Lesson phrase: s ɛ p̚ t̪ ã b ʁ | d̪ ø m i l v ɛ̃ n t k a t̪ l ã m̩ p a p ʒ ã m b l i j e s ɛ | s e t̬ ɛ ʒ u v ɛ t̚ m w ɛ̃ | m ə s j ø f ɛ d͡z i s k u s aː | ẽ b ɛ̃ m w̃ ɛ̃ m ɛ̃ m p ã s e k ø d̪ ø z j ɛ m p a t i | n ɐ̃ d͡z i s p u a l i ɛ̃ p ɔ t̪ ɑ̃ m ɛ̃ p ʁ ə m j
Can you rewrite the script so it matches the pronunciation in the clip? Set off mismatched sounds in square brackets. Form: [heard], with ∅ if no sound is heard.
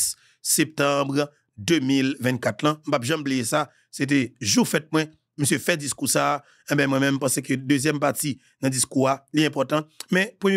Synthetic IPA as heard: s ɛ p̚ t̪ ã b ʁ | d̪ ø m i l v ɛ̃ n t k a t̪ l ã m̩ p a p ʒ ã m b l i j e s [a] | s e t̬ ɛ ʒ u [f] ɛ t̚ m w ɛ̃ | m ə s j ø f ɛ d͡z i s k u s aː | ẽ b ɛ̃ m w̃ ɛ̃ m ɛ̃ m p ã s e k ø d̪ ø z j ɛ m p a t i | n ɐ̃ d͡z i s [k] u a l i ɛ̃ p ɔ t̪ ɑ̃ m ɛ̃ p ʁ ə m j

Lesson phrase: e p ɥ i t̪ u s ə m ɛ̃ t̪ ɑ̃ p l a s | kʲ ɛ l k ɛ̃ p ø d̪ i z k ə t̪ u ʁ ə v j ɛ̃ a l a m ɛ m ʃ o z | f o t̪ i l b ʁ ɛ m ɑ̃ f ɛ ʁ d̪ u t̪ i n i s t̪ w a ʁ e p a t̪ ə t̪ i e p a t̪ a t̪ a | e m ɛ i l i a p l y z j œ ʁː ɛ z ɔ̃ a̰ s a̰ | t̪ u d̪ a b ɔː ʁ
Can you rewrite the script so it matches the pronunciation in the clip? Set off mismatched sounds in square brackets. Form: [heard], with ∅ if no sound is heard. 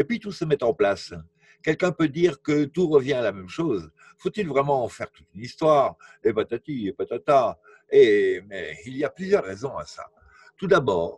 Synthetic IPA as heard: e p ɥ i t̪ u s ə m [ɛ] t̪ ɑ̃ p l a s | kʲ ɛ l k ɛ̃ p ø d̪ i [ʁ] k ə t̪ u ʁ ə v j ɛ̃ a l a m ɛ m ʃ o z | f o t̪ i l [v] ʁ ɛ m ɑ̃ f ɛ ʁ [t̪] u t̪ [y] n i s t̪ w a ʁ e p a t̪ [a] t̪ i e p a t̪ a t̪ a | e m ɛ i l i a p l y z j œ ʁː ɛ z ɔ̃ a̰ s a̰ | t̪ u d̪ a b ɔː ʁ

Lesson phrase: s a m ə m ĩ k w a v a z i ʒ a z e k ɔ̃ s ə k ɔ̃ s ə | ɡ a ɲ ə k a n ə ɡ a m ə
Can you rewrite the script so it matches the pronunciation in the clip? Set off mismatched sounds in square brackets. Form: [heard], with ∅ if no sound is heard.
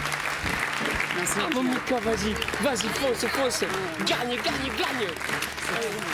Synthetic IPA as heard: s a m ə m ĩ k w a v a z i [v] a z [i] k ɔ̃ s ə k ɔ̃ s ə | ɡ a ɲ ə [ɡ] a [ɲ] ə ɡ a [ɲ] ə

